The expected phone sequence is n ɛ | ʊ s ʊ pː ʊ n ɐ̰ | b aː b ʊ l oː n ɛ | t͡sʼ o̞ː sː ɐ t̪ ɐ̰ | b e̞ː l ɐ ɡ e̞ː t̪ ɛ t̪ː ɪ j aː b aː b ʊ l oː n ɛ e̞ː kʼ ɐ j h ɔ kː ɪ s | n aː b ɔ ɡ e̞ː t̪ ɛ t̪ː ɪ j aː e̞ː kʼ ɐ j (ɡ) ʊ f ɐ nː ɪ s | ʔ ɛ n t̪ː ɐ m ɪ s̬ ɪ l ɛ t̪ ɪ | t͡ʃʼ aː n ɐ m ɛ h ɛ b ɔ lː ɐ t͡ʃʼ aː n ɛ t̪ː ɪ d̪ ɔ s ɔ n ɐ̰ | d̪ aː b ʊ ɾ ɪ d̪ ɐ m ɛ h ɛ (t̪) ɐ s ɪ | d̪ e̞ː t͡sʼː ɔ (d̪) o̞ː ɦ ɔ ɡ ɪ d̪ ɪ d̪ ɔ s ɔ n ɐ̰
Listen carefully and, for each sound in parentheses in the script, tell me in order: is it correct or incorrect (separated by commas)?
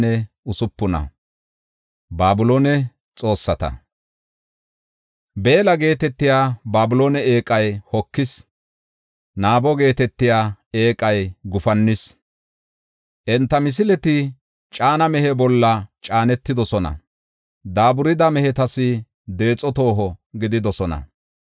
correct, correct, incorrect